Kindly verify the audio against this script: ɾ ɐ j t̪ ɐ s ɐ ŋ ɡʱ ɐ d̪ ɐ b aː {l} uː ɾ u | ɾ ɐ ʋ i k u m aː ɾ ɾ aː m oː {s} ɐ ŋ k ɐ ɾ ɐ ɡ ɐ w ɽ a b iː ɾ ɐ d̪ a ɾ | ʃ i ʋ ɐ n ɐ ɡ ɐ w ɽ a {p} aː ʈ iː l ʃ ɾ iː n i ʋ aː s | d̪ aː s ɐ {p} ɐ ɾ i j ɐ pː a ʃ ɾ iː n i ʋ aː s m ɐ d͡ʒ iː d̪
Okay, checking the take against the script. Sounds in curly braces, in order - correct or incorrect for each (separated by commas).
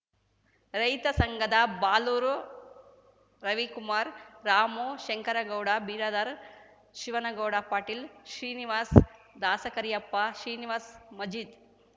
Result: correct, incorrect, correct, incorrect